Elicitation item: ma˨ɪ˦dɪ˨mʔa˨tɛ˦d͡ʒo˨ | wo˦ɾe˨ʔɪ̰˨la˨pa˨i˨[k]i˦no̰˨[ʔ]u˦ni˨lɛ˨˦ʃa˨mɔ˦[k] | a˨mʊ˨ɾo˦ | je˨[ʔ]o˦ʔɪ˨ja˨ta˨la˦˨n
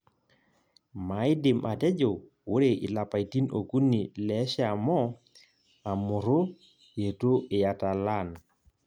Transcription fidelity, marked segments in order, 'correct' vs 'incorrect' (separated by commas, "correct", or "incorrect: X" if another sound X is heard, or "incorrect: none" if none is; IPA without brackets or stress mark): incorrect: t, incorrect: k, incorrect: none, incorrect: t